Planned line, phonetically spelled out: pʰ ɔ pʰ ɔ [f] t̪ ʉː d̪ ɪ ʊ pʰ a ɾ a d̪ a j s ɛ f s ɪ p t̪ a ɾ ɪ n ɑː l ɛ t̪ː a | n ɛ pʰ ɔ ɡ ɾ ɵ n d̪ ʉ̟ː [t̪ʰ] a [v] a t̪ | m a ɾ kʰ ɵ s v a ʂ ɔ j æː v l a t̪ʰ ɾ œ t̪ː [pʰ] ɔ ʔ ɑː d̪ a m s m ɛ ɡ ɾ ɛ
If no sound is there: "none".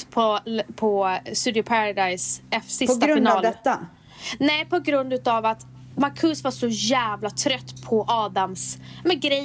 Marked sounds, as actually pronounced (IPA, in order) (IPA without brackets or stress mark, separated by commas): s, t̪, v, pʰ